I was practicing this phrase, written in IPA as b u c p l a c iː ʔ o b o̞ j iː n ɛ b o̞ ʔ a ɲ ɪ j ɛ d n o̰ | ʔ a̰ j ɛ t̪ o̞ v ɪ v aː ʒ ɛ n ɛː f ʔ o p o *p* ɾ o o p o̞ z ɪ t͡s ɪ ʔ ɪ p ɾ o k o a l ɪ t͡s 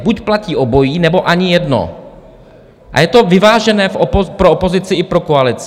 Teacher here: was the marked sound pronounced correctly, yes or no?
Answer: yes